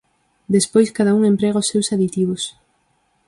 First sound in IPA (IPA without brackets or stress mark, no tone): d̪